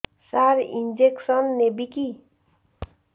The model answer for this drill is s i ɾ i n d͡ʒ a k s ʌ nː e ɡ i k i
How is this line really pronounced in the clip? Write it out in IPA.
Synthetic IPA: s a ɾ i n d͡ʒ e k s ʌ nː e b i k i